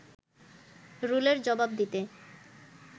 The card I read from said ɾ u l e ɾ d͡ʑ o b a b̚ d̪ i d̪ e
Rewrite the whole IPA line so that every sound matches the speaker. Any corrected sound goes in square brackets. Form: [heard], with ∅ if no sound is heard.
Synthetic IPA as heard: ɾ u l e ɾ d͡ʑ [ɔ] b a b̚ d̪ i [t̪] e